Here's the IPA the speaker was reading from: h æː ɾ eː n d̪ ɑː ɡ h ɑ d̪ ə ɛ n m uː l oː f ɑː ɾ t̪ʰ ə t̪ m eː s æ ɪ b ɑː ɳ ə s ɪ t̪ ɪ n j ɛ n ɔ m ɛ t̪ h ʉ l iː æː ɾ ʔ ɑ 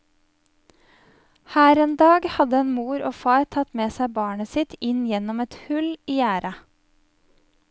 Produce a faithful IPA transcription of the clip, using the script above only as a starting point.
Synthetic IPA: h æː ɾ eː n d̪ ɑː ɡ h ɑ d̪ ə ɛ n m uː ɾ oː f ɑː ɾ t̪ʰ ɑ t̪ m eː s æ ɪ b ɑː ɳ ə s ɪ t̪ ɪ n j ɛ n ɔ m ɛ t̪ h ʉ l iː æː ɾ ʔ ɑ